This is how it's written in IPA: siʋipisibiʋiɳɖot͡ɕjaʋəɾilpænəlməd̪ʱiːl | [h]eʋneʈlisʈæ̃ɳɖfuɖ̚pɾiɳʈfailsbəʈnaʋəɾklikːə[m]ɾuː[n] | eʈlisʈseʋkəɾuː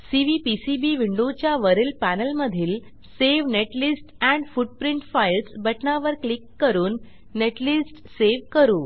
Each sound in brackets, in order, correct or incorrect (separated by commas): incorrect, incorrect, incorrect